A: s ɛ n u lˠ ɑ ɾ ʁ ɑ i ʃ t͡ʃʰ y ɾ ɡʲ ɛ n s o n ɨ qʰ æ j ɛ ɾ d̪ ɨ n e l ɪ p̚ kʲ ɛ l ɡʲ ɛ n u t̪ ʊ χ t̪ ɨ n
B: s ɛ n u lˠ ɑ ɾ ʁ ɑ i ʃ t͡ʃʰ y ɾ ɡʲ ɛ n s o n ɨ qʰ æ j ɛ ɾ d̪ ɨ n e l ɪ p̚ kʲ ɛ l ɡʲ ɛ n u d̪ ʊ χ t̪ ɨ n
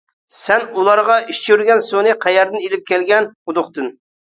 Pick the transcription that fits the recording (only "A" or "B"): B